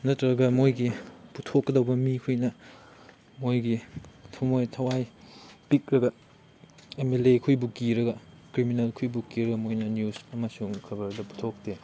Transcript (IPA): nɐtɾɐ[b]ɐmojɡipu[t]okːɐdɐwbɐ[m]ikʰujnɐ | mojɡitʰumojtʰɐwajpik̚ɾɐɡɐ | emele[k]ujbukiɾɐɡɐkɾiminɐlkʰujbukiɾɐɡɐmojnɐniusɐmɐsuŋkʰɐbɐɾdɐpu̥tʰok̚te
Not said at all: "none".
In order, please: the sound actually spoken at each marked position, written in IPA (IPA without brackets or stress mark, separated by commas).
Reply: ɡ, tʰ, m, kʰ